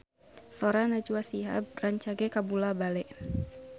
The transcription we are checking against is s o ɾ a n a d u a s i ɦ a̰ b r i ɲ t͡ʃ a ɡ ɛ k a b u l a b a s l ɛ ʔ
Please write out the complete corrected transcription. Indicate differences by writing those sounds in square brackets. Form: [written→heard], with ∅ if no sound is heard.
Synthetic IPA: s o ɾ a n a [d→d͡ʒ] u a s i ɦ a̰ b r [i→a] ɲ t͡ʃ a ɡ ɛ k a b u l a b a [s→∅] l ɛ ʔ